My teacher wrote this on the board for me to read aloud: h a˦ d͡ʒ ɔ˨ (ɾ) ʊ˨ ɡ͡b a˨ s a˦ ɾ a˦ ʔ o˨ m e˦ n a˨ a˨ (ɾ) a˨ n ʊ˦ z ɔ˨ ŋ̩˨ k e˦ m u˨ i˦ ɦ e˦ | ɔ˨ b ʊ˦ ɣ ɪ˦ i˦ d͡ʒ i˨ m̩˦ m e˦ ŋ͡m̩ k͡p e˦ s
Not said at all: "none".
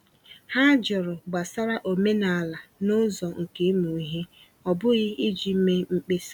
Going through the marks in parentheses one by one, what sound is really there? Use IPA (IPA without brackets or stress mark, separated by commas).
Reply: ɾ, l